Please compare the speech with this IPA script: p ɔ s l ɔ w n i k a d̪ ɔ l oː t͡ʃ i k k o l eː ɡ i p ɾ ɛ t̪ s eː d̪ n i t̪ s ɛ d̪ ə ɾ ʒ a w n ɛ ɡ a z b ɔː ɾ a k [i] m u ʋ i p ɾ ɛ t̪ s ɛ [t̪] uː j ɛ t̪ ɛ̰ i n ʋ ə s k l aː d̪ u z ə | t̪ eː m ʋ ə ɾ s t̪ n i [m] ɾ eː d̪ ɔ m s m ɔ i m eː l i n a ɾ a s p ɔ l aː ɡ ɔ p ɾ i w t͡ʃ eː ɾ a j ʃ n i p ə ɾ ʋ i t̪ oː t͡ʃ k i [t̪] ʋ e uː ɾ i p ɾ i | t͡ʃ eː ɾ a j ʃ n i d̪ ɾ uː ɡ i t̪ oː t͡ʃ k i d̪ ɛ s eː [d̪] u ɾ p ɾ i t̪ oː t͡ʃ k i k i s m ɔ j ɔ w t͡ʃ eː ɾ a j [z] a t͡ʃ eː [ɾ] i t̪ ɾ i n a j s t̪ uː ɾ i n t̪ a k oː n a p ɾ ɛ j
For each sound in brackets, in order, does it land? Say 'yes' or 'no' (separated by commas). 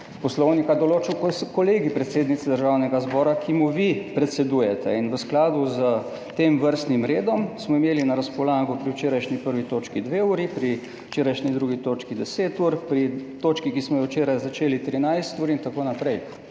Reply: yes, no, yes, no, no, yes, no